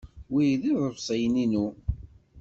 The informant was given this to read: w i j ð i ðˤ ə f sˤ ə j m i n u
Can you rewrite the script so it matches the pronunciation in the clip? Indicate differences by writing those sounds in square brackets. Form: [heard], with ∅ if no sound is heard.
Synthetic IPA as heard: w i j ð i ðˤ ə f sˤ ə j [n] i n u